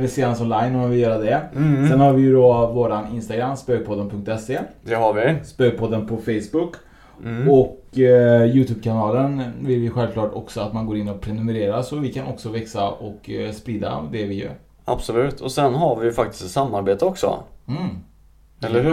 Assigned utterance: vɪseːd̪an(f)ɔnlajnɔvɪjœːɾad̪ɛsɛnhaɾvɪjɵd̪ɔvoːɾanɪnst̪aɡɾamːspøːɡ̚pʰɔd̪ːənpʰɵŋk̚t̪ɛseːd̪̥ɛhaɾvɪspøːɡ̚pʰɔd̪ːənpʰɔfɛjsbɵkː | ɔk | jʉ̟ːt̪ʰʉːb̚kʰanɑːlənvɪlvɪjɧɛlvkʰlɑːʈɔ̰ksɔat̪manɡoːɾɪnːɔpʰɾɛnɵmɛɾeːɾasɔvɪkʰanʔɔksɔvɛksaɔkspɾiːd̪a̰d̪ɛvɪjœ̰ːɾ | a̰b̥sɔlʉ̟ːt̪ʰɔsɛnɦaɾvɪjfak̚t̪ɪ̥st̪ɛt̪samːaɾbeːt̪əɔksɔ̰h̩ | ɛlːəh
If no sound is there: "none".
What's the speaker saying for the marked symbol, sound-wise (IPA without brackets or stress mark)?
s